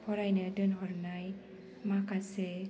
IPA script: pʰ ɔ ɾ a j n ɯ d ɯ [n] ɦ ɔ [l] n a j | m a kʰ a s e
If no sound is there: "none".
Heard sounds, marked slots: n, ɾ

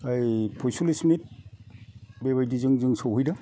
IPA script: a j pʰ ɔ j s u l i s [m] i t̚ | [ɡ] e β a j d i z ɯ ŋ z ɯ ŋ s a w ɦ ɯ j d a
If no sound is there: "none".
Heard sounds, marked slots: m, b

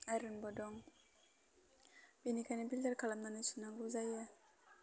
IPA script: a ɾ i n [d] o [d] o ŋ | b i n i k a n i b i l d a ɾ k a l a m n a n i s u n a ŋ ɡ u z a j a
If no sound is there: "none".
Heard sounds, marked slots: b, d

